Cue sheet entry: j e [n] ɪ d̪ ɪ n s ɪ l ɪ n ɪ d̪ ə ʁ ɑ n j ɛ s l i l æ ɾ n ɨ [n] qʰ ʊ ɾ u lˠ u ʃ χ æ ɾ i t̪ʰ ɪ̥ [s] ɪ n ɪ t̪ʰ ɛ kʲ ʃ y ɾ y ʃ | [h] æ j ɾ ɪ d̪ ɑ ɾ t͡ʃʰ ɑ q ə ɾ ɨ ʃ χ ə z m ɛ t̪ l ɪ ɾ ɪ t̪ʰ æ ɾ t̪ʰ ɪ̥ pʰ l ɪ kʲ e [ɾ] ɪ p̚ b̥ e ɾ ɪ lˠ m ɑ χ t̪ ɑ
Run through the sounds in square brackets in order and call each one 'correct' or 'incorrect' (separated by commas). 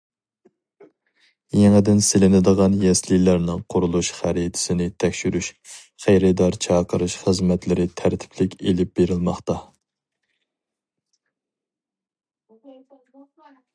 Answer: incorrect, incorrect, correct, incorrect, incorrect